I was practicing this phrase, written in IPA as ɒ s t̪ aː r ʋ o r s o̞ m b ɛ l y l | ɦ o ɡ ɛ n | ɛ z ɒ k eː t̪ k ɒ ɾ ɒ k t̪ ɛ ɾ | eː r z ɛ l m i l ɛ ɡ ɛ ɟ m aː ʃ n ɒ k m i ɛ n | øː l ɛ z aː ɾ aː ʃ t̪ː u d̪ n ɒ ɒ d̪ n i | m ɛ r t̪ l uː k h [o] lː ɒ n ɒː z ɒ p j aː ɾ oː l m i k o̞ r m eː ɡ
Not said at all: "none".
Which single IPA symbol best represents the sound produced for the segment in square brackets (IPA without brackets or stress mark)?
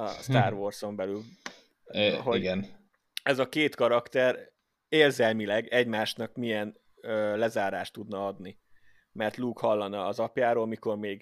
ɒ